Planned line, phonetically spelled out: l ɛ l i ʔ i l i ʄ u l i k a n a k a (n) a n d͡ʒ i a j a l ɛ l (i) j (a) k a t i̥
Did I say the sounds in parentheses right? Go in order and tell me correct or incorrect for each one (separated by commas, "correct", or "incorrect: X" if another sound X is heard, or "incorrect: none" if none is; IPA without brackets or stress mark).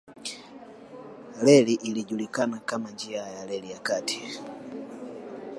incorrect: m, correct, correct